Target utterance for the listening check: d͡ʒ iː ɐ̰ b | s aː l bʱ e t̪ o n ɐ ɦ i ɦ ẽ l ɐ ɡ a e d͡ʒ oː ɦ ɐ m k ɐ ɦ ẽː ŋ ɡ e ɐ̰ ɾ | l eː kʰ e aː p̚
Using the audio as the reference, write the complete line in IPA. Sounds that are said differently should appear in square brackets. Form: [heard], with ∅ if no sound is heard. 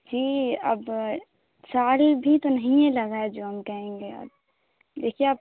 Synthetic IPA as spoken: d͡ʒ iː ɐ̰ b | s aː l bʱ [i] t̪ o n ɐ ɦ [ĩ] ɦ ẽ l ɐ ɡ a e d͡ʒ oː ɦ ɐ m k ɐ ɦ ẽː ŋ ɡ e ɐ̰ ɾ | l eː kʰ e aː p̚